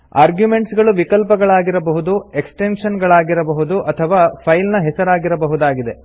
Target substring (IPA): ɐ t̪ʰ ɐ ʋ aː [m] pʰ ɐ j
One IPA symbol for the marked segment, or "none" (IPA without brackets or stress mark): none